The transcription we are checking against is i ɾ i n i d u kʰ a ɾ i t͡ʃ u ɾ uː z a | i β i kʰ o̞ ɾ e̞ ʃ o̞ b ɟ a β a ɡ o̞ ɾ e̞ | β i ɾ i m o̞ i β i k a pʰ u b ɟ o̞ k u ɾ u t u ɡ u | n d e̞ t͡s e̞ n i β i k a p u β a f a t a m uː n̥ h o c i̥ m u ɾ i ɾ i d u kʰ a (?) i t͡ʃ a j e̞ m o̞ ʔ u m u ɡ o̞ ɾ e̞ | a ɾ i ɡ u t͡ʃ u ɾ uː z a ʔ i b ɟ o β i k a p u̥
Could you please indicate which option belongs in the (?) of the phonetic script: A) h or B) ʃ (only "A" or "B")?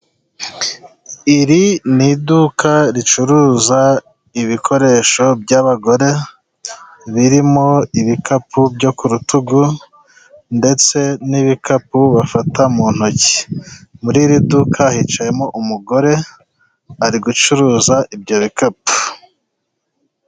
A